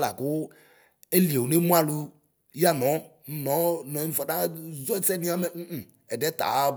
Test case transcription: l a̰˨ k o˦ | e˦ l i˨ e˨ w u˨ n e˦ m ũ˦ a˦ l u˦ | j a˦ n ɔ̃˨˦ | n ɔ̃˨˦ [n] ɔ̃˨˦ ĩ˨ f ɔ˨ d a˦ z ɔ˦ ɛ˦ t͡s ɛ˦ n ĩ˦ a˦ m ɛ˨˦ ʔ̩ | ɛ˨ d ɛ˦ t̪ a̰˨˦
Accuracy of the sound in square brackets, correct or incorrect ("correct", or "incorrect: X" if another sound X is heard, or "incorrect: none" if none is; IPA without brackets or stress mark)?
correct